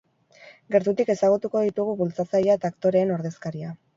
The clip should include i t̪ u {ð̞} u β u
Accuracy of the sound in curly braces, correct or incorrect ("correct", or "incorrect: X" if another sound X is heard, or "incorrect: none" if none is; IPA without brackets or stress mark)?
incorrect: ɣ̞